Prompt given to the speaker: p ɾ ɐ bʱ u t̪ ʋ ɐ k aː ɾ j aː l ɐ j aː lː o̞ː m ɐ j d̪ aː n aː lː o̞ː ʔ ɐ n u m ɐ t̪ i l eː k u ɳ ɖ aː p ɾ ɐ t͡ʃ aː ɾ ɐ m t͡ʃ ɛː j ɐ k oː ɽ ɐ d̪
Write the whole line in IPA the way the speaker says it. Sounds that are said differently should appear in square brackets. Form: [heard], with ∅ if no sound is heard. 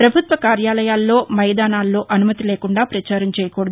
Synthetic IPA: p ɾ ɐ bʱ u t̪ ʋ ɐ k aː ɾ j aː l ɐ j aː lː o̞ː m ɐ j d̪ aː n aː lː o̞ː ʔ ɐ n u m ɐ t̪ i l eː k u ɳ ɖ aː p ɾ ɐ t͡ʃ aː ɾ ɐ m t͡ʃ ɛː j ɐ k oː ɽ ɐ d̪